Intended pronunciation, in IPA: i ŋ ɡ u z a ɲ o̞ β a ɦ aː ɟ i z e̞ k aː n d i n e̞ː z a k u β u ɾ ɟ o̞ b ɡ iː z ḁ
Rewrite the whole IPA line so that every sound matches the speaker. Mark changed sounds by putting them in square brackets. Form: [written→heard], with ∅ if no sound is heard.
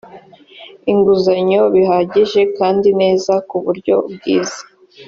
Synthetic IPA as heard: i ŋ ɡ u z a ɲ o̞ β [a→i] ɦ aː ɟ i [z→ʒ] e̞ k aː n d i n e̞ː z a k u β u ɾ ɟ o̞ b ɡ iː z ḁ

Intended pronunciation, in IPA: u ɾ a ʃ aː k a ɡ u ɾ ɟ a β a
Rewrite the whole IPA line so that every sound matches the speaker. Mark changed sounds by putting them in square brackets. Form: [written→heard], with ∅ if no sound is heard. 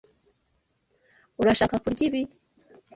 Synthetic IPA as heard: u ɾ a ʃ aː k a [ɡ→k] u ɾ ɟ [a→i] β [a→i]

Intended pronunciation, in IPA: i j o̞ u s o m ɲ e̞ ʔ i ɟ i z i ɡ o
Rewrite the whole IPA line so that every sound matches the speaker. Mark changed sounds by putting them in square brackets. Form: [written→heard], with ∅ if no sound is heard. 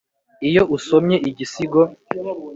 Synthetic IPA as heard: i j o̞ u s o m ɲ e̞ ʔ i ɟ i [z→s] i ɡ o

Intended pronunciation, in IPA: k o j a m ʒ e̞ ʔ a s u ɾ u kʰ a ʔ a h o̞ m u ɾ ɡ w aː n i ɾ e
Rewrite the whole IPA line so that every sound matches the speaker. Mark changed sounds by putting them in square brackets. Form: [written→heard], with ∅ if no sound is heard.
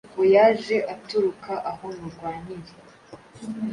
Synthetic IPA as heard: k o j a [m→∅] ʒ e̞ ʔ a [s→t] u ɾ u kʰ a ʔ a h o̞ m u ɾ ɡ w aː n i ɾ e

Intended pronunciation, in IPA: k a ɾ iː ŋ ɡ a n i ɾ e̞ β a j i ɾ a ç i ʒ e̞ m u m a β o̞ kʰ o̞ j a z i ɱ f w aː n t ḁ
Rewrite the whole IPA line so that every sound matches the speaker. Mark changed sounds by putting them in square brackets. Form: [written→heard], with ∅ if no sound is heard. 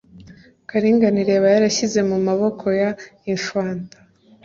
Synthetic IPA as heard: k a ɾ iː ŋ ɡ a n i ɾ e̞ β a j [i→a] ɾ a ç i [ʒ→z] e̞ m u m a β o̞ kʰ o̞ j a [z→∅] i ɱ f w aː n t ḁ

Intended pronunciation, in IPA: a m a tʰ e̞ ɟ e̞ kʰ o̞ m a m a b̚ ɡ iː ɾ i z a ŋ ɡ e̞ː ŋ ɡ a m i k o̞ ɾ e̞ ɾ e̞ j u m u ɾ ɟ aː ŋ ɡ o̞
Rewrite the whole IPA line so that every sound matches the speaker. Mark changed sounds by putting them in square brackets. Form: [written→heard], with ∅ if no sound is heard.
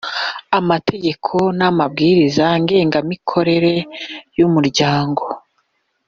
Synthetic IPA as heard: a m a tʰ e̞ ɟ e̞ kʰ o̞ [m→n] a m a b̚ ɡ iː ɾ i z a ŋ ɡ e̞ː ŋ ɡ a m i [k→kʰ] o̞ ɾ e̞ ɾ e̞ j u m u ɾ ɟ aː ŋ ɡ o̞

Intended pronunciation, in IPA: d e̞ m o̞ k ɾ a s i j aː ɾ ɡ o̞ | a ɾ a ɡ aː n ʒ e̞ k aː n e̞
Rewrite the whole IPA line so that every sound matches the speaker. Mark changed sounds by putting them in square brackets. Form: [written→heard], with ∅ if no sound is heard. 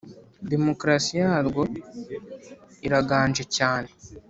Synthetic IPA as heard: d e̞ m o̞ k ɾ a s i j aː ɾ ɡ o̞ | [a→i] ɾ a ɡ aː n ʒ e̞ [k→c] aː n e̞

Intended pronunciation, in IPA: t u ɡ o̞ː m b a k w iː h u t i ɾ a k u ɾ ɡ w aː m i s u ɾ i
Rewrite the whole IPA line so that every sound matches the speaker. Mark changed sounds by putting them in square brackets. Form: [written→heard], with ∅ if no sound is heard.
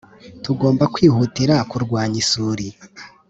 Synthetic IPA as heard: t u ɡ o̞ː m b a k w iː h u t i ɾ a k u ɾ ɡ w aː [m→ɲ] i s u ɾ i

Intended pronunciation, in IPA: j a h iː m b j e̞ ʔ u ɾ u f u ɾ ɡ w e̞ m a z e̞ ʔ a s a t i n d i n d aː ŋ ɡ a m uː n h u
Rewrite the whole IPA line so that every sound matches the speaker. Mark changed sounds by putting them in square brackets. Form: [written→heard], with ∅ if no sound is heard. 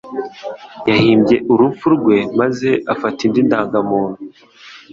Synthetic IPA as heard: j a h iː m b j e̞ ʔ u ɾ u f u ɾ ɡ w e̞ m a z e̞ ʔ a [s→f] a t i n d i n d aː ŋ ɡ a m uː n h u

